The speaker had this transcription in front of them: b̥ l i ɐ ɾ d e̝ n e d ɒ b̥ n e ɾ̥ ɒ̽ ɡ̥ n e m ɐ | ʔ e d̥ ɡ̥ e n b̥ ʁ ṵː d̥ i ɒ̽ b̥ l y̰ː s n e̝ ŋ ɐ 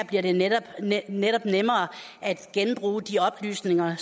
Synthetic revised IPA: b̥ l i ɐ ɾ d e̝ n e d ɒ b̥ n e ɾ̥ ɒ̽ b̥ n e m ɐː | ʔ æ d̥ ɡ̥ e n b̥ ʁ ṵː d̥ i ɒ̽ b̥ l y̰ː s n e̝ ŋ ɐ